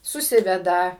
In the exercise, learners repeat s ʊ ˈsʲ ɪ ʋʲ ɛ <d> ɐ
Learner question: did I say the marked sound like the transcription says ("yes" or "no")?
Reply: yes